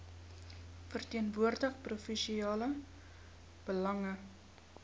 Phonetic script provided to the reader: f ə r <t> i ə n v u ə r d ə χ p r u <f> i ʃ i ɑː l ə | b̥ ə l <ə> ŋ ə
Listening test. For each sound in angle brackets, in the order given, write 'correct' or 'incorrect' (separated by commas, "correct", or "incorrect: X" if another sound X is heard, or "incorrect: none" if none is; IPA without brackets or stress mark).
correct, correct, incorrect: ɐ